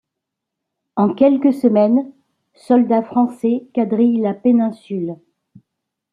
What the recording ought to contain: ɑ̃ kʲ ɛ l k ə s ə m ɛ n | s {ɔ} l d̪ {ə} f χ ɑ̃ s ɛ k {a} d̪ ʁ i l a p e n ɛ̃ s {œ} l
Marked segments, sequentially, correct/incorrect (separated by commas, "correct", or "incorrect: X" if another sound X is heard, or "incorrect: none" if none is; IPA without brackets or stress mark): correct, incorrect: a, correct, incorrect: y